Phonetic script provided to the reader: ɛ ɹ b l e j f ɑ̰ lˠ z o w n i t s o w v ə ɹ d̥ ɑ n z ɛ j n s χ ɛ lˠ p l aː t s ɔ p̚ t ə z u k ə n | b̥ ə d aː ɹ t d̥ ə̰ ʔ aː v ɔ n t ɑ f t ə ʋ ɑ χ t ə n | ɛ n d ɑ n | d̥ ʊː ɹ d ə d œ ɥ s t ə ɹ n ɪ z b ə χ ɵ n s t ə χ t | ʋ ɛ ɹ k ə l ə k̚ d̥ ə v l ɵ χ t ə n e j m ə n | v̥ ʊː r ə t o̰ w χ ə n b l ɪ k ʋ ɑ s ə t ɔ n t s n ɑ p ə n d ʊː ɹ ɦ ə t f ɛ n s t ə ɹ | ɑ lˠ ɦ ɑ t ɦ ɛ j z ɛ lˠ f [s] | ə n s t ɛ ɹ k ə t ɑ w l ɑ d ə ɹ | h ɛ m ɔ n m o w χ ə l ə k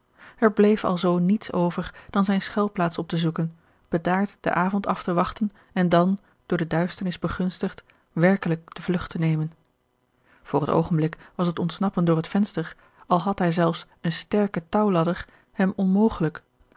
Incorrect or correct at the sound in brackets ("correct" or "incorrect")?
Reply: correct